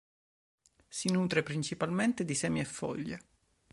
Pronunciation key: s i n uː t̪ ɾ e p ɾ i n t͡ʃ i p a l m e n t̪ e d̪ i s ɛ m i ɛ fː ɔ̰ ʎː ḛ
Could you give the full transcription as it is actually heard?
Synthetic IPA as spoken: s i n uː t̪ ɾ e p ɾ i n t͡ʃ i p a l m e n t̪ e d̪ i s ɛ m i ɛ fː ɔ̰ ʎː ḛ

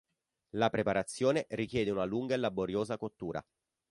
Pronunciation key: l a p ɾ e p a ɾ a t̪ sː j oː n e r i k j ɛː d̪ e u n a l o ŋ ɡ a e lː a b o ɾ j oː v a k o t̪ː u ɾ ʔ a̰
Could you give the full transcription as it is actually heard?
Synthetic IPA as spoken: l a p ɾ e p a ɾ a t̪ sː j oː n e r i k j ɛː d̪ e u n a l u ŋ ɡ a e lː a b o ɾ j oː z a k o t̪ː uː ɾ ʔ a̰

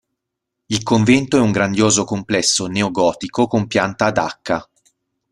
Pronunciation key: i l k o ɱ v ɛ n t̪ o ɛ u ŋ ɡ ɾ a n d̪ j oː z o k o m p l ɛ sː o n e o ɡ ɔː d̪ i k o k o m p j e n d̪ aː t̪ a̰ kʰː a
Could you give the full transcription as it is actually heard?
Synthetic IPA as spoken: i l k o ɱ v ɛ n t̪ o ɛ u ŋ ɡ ɾ a n d̪ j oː z o k o m p l ɛ sː o n e o ɡ ɔː t̪ i k o k o m p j a n t̪ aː d̪ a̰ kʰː a

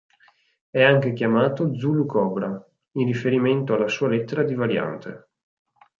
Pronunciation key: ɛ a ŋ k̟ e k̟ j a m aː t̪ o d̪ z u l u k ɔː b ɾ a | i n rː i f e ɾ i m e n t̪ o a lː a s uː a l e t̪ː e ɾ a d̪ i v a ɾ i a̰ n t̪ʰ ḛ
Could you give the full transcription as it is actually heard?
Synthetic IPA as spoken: ɛ a ŋ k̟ e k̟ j a m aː t̪ o d̪ z u l u k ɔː b ɾ a | i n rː i f e ɾ i m e n t̪ o a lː a s uː a l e t̪ː e ɾ a d̪ i v a ɾ j a̰ n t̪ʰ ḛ

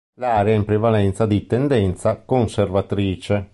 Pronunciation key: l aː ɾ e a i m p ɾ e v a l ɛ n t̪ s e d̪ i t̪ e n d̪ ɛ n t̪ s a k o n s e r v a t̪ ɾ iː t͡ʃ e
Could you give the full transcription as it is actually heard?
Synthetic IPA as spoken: l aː ɾ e a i m p ɾ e v a l ɛ n t̪ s a d̪ i t̪ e n d̪ ɛ n t̪ s a k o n s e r v a t̪ ɾ iː t͡ʃ e

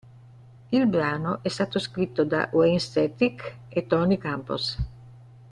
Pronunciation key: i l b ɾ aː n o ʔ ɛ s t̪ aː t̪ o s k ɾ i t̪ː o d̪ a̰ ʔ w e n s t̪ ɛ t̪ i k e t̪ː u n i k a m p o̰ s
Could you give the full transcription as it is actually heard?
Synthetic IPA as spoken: i l b ɾ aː n o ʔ ɛ s t̪ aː t̪ o s k ɾ i t̪ː o d̪ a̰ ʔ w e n s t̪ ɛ t̪ i k e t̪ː ɔ n i k a m p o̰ s

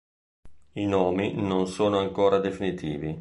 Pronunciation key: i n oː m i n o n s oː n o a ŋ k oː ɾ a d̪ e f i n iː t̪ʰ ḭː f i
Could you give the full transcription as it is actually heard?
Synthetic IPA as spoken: i n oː m i n o n s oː n o a ŋ k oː ɾ a d̪ e f i n i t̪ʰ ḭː v i

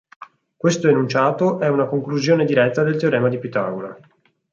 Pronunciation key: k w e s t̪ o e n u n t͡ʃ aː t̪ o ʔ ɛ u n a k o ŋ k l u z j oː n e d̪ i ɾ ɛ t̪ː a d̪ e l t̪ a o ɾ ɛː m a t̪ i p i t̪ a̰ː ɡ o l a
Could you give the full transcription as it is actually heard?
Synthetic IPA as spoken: k w e s t̪ o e n u n t͡ʃ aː t̪ o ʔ ɛ u n a k o ŋ k l u z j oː n e d̪ i ɾ ɛ t̪ː a d̪ e l t̪ e o ɾ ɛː m a d̪ i p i t̪ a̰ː ɡ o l a

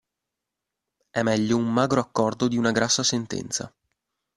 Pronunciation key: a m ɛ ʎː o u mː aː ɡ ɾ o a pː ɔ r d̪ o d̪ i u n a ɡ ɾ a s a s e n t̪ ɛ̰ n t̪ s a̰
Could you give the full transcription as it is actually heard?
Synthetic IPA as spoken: ɛ m ɛ ʎː o u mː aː ɡ ɾ o a kː ɔ r d̪ o d̪ i u n a ɡ ɾ a sː a s e n t̪ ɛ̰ n t̪ s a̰

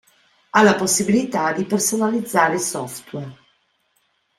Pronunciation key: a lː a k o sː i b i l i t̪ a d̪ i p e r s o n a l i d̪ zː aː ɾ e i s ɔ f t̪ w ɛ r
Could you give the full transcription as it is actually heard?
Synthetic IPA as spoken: a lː a p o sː i b i l i t̪ a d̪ i p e r s o n a l i d̪ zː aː ɾ e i s ɔ f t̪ w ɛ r

